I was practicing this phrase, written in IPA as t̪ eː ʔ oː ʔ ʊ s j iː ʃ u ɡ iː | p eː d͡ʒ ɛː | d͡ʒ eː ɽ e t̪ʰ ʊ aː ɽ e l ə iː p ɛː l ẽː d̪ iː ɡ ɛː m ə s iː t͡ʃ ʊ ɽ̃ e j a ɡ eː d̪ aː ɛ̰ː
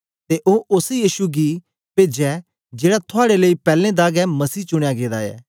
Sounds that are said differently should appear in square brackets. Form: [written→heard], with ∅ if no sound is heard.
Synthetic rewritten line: t̪ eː ʔ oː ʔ ʊ s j iː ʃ u ɡ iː | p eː d͡ʒ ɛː | d͡ʒ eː ɽ [e→a] t̪ʰ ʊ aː ɽ e l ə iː p ɛː l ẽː d̪ [iː→aː] ɡ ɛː m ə s iː t͡ʃ ʊ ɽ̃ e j a ɡ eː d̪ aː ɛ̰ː